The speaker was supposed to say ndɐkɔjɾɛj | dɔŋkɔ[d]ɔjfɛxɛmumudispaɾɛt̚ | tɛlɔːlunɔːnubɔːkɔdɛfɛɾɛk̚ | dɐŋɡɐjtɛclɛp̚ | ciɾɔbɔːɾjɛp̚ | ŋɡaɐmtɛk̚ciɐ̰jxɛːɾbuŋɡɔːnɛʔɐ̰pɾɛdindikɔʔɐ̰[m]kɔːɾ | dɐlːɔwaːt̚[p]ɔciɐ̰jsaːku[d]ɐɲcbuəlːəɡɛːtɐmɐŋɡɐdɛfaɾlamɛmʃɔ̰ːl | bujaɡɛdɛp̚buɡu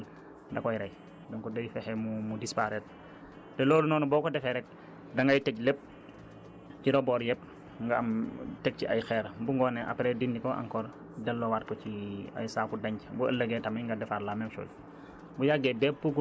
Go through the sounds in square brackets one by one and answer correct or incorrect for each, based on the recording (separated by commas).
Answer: correct, incorrect, incorrect, correct